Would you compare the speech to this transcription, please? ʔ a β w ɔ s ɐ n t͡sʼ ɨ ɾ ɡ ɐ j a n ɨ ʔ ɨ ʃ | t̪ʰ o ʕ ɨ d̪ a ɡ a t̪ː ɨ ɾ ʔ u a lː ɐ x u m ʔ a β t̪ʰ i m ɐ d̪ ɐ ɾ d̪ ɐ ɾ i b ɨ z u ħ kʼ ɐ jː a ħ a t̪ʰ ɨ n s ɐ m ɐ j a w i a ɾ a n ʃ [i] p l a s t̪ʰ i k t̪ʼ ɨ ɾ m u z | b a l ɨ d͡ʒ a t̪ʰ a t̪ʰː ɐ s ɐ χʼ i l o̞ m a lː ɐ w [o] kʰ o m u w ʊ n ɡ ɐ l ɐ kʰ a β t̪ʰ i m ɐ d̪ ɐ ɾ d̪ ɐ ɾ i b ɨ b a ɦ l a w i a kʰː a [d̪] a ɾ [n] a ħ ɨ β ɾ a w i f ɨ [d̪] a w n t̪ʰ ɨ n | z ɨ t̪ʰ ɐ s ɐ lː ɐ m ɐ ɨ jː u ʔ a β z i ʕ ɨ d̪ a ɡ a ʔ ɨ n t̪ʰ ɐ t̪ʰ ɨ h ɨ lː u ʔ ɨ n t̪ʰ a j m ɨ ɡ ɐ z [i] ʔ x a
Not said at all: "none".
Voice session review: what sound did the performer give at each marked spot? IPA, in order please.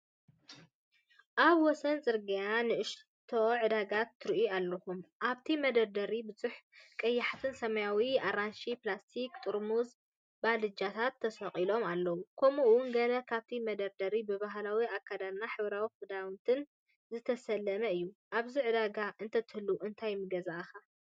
i, u, d̪, n, d̪, a

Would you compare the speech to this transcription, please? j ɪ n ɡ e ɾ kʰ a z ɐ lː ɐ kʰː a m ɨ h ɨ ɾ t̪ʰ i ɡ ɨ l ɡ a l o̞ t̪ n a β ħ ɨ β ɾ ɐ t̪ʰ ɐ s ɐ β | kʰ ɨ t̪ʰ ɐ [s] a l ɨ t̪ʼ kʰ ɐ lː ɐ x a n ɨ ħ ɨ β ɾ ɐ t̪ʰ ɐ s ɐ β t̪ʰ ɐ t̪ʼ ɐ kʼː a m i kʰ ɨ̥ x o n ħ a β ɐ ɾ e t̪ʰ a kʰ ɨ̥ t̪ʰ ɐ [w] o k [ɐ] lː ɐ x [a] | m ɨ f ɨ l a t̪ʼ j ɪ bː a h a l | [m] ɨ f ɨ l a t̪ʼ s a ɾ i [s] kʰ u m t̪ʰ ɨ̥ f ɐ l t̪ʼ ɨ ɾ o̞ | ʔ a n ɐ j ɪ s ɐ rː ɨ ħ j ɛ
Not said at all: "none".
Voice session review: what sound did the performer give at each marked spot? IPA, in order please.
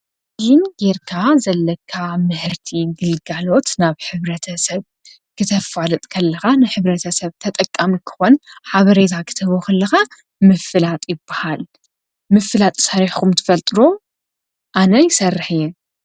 f, β, ɐ, a, m, ħ

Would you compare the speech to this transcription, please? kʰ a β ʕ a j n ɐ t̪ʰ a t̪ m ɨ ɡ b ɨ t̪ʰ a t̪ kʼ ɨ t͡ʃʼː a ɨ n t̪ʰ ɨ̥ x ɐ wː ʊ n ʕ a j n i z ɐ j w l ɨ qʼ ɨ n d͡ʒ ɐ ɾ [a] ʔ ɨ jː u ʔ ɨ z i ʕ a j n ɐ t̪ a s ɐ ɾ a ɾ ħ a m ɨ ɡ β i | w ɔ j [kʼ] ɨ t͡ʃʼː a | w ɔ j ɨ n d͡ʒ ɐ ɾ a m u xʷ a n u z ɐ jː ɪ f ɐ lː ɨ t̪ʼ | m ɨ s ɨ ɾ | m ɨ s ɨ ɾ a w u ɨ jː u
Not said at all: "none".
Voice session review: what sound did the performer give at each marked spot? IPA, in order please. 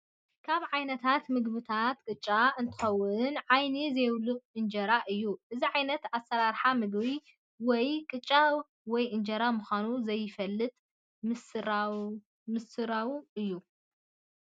a, kʼ

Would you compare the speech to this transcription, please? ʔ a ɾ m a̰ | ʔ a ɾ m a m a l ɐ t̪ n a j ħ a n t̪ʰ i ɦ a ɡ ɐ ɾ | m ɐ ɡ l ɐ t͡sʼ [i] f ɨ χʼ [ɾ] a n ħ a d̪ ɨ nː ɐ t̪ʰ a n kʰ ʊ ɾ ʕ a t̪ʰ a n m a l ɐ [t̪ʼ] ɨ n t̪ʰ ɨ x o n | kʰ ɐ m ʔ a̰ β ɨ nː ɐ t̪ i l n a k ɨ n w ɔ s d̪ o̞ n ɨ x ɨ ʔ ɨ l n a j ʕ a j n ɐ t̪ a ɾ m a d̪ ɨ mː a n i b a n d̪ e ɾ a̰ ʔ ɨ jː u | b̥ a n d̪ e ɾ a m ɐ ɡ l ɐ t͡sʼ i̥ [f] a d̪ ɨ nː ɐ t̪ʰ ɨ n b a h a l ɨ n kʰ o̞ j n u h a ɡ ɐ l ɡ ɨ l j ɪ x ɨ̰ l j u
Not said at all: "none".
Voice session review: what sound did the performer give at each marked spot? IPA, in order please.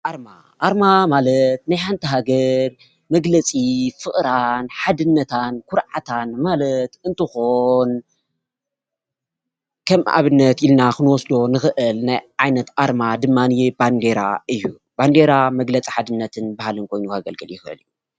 i, ɾ, t̪, ħ

